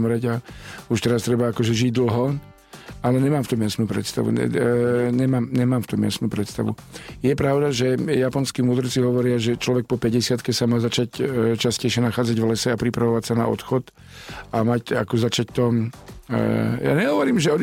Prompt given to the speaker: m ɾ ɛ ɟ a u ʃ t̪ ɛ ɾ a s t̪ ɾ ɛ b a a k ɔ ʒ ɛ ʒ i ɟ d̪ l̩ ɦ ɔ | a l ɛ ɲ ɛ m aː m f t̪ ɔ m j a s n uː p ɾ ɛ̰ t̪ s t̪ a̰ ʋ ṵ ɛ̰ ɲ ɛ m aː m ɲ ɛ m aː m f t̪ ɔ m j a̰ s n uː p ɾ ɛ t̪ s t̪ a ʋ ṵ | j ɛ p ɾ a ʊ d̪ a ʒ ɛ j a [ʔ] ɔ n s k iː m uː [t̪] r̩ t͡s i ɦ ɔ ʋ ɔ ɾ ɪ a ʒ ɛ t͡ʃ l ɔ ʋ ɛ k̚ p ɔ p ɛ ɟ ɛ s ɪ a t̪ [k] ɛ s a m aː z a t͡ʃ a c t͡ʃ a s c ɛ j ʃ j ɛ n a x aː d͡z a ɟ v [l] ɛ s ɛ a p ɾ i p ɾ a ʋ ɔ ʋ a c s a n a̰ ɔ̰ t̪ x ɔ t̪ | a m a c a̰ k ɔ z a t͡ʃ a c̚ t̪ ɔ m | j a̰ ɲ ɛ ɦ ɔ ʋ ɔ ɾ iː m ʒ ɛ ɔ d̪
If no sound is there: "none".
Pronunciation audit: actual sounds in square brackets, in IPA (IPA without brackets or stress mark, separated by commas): p, d̪, k, l